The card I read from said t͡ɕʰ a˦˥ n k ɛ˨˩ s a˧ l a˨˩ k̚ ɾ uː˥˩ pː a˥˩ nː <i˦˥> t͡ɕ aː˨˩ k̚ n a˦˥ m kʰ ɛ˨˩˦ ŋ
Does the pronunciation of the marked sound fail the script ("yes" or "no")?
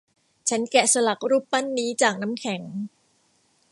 yes